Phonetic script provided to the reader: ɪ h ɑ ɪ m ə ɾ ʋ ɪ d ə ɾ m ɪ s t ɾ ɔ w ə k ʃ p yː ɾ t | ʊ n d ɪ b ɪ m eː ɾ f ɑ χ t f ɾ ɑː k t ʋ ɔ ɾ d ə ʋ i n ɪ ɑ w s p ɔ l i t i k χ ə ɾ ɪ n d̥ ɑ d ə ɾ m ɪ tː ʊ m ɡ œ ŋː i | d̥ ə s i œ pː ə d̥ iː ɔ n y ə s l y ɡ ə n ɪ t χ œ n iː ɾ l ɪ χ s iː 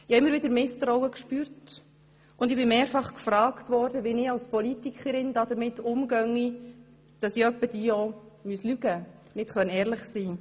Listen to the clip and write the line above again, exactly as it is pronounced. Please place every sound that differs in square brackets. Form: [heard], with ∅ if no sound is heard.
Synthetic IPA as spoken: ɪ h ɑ ɪ m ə ɾ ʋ ɪ d ə ɾ m ɪ s t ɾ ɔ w ə k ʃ p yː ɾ t | ʊ n d ɪ b ɪ m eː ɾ f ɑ χ [k] f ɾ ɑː k t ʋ ɔ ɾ d ə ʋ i n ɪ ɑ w s p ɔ l i t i k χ ə ɾ ɪ n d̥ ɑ d ə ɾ m ɪ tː ʊ m ɡ œ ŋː i | d̥ [ɑ] s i œ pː ə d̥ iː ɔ [m] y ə s l y ɡ ə n ɪ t χ œ n [ɛː] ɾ l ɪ χ s iː